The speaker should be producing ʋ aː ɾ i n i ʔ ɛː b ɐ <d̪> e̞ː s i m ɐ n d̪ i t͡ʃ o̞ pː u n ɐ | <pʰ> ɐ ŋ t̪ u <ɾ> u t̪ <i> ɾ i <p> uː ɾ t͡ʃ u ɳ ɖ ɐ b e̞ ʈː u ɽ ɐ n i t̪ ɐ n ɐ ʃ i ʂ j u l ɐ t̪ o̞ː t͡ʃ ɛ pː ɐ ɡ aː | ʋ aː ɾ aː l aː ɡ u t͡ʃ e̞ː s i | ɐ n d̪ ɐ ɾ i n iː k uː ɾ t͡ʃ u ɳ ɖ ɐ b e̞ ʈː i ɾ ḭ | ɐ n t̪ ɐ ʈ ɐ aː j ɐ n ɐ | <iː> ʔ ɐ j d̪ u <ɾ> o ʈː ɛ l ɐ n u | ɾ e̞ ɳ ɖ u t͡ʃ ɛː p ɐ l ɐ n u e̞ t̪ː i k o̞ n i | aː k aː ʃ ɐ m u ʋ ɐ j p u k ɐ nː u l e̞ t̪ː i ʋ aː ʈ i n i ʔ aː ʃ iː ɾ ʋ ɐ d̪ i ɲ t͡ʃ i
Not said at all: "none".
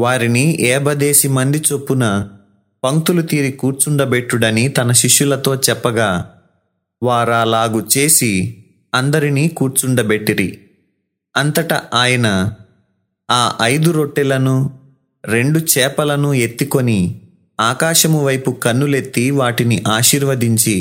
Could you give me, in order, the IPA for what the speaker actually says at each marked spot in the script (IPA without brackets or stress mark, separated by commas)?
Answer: d̪, p, l, iː, k, aː, ɾ